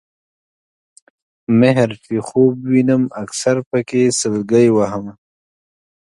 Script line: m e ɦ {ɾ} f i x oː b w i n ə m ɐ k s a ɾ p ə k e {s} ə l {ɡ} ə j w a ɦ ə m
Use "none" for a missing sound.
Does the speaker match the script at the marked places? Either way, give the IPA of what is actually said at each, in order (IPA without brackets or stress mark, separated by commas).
ɾ, s, ɡ